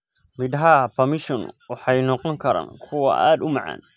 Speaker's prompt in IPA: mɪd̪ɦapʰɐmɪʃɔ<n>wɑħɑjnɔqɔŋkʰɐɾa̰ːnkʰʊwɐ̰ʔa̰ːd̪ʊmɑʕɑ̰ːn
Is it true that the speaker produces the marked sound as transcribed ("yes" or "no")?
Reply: yes